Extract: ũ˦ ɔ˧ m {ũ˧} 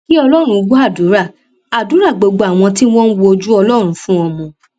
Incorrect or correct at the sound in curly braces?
incorrect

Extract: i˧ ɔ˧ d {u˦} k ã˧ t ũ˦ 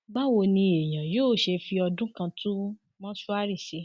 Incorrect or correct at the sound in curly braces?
incorrect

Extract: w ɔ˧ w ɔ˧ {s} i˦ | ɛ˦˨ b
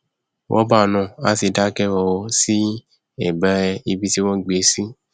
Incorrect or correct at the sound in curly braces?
correct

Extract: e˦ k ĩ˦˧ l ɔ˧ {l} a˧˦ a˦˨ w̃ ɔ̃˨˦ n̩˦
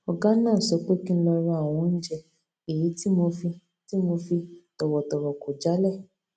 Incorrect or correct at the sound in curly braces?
incorrect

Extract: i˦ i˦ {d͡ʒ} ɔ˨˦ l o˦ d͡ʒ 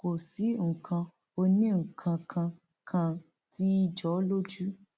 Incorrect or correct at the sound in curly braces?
correct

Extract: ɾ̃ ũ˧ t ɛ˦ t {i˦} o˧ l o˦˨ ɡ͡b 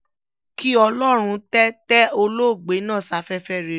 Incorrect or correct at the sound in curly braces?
incorrect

